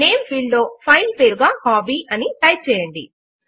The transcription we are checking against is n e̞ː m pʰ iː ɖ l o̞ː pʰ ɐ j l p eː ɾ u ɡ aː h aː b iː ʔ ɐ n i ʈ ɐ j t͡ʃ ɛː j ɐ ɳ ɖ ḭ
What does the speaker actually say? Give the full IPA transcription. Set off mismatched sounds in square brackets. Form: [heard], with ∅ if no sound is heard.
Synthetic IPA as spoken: n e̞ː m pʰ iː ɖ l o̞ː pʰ ɐ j l p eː ɾ u ɡ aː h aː b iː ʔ ɐ n i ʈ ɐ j t͡ʃ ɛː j ɐ ɳ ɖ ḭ